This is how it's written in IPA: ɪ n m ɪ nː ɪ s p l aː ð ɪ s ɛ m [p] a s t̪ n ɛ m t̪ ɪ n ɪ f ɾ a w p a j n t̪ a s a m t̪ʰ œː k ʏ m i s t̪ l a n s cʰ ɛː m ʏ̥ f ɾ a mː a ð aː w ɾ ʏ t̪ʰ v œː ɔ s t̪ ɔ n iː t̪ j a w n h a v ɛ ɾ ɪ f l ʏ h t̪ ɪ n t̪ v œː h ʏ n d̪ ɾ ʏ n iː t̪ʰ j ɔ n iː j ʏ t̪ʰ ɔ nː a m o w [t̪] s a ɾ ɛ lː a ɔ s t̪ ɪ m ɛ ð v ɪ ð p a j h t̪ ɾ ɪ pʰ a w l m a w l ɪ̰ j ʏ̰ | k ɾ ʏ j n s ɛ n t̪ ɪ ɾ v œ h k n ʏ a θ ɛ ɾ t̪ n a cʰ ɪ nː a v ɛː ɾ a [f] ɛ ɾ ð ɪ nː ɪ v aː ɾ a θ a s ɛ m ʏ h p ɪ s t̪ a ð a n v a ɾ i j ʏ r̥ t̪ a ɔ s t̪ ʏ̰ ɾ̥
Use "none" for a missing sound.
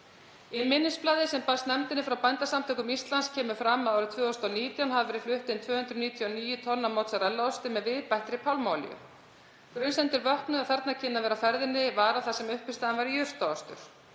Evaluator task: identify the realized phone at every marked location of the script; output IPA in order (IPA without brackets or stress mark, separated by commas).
p, t̪, f